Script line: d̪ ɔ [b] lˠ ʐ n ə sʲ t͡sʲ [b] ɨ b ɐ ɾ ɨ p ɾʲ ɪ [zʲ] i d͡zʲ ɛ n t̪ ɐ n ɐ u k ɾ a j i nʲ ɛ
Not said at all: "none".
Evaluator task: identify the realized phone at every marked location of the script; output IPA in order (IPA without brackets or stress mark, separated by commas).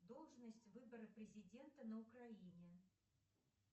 none, v, zʲ